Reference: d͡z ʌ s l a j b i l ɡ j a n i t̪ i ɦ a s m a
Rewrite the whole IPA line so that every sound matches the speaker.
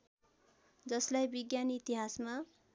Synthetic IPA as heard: d͡z ʌ s l a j b i ɡ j a n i t̪ i ɦ a s m a